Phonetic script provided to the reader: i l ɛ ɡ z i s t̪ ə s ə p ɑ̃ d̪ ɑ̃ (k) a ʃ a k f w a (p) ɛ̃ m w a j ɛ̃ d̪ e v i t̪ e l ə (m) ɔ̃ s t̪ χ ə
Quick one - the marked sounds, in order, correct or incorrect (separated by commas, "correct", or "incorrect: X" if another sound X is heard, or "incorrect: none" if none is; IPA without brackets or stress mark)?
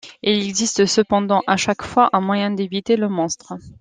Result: incorrect: ʔ, incorrect: ʔ, correct